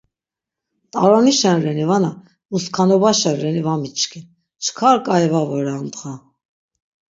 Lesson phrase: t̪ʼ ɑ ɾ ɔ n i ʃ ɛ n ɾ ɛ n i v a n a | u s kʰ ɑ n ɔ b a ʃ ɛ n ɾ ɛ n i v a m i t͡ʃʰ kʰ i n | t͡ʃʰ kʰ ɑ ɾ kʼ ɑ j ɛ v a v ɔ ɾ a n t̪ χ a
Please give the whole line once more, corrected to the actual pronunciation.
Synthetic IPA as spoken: t̪ʼ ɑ ɾ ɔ n i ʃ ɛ n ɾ ɛ n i v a n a | u s kʰ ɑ n ɔ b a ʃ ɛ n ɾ ɛ n i v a m i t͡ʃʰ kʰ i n | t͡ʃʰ kʰ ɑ ɾ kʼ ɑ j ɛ v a v ɔ ɾ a n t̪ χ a